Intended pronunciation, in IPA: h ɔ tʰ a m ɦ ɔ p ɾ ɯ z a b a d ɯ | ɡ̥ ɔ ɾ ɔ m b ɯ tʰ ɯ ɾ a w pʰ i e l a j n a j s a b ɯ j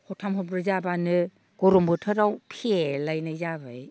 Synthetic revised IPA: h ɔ tʰ a m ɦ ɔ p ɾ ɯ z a b a n ɯ | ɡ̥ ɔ ɾ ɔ m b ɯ tʰ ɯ ɾ a w pʰ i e l a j n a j z a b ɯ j